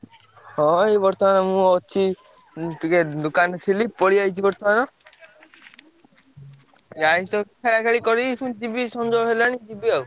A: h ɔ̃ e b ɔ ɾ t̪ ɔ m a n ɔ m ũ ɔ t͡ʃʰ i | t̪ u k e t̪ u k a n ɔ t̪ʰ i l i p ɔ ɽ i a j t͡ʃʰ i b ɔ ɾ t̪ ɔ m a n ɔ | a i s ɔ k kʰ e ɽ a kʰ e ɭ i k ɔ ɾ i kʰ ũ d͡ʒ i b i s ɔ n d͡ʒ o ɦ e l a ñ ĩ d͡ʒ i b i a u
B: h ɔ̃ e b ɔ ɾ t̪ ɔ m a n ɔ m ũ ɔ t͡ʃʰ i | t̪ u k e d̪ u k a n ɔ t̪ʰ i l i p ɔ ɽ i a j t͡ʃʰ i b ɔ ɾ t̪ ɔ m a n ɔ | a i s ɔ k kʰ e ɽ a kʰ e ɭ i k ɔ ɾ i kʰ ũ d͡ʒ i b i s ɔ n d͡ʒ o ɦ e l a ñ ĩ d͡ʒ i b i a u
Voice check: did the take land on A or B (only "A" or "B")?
B